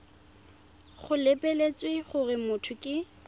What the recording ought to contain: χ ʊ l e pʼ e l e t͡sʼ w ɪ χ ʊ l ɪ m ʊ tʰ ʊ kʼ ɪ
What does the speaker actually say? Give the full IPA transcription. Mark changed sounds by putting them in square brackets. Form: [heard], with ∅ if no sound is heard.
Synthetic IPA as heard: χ ʊ l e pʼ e l e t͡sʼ w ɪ χ ʊ [r] ɪ m ʊ tʰ ʊ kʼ ɪ